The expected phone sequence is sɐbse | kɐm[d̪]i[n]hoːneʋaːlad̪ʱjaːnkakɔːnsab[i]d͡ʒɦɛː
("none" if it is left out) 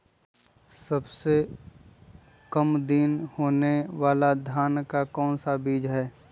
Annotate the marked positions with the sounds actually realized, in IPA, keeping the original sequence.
d̪, n, iː

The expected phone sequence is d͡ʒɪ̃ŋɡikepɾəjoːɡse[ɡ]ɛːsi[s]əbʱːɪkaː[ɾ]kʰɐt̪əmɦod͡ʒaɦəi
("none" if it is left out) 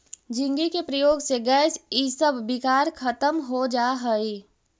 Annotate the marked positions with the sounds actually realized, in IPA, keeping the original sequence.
ɡ, s, ɾ

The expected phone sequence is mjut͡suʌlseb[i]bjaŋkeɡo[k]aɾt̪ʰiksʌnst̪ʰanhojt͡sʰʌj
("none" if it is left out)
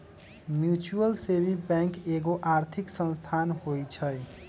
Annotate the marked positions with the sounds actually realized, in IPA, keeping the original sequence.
i, ʔ

